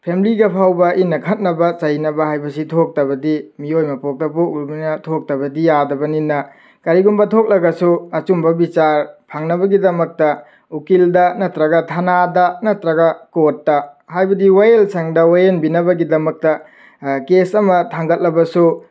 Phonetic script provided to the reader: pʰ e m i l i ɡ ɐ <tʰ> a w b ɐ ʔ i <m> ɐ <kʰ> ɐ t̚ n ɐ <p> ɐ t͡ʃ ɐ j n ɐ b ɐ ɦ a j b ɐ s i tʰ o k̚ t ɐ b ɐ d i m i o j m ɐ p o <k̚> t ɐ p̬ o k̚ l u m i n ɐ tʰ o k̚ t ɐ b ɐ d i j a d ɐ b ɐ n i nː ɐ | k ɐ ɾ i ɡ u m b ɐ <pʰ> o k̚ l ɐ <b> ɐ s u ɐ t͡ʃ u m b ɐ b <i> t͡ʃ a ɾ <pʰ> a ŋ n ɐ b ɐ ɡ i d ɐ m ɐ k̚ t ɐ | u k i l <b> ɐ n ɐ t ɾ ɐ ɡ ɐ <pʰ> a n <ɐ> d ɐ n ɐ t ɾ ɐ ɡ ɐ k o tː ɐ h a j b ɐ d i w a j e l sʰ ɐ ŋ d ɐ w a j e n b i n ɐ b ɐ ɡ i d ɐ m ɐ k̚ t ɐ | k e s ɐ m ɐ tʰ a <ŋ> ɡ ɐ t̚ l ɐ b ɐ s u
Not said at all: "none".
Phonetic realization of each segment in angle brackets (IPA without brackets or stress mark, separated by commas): pʰ, n, kʰ, b, k̚, tʰ, ɡ, i, pʰ, d, tʰ, a, ŋ